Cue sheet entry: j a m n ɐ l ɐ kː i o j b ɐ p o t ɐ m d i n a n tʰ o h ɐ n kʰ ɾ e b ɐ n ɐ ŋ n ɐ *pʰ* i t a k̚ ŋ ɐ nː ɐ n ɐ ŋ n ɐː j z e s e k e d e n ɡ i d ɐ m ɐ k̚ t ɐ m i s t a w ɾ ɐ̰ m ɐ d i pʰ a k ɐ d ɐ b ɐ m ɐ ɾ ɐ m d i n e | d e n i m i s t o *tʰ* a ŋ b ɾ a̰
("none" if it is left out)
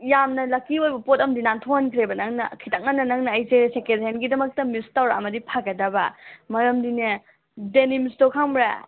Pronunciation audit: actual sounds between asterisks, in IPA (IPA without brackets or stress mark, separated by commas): kʰ, kʰ